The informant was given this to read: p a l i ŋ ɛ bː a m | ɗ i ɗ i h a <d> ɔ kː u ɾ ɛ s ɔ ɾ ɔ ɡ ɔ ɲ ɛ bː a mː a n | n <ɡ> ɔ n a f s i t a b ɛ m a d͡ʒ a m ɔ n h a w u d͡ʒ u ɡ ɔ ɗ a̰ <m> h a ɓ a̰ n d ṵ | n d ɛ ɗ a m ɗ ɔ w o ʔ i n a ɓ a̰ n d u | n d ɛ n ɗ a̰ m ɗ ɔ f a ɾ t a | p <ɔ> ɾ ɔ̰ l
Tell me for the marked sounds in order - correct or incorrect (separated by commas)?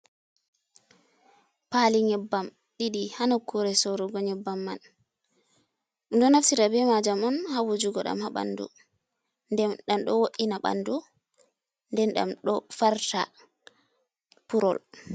incorrect, incorrect, correct, incorrect